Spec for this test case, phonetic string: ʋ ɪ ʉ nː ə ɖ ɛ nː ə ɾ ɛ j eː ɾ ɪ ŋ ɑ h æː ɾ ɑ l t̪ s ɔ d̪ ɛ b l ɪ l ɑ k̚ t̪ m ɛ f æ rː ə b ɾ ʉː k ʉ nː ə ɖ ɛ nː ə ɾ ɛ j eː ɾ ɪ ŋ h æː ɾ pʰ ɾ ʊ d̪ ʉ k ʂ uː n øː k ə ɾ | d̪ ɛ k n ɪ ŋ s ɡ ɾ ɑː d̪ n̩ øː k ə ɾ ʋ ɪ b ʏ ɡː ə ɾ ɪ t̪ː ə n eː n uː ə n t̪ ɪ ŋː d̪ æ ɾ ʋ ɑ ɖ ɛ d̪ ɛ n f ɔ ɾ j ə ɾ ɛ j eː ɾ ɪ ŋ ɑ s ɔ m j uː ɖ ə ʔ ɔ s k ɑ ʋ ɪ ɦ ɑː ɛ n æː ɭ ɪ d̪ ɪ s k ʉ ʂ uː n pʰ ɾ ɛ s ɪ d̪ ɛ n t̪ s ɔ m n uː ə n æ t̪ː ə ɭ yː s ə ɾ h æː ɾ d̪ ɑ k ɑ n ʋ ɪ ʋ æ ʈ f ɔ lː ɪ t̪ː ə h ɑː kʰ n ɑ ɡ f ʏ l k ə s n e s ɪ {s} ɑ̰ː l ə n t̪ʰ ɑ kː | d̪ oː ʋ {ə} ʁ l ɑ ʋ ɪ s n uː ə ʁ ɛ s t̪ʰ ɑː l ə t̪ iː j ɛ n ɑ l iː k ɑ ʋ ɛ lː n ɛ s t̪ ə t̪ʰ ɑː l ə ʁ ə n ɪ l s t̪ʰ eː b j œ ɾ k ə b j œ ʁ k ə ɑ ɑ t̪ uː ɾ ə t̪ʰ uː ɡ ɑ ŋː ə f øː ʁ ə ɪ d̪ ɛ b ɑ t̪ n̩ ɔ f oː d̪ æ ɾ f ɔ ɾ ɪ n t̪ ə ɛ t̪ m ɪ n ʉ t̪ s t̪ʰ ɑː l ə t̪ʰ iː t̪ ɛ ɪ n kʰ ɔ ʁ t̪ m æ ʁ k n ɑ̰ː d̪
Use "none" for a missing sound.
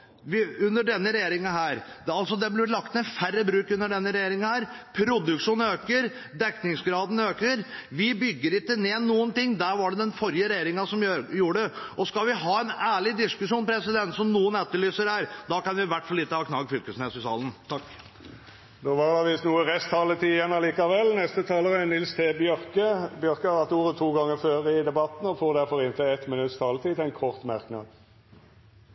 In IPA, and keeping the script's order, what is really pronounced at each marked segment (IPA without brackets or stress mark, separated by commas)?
s, ɑ